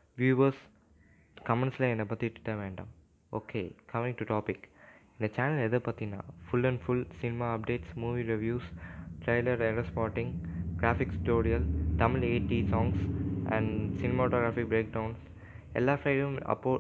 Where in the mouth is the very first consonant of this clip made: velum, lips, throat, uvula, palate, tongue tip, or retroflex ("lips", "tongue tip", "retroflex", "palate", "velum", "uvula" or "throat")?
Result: lips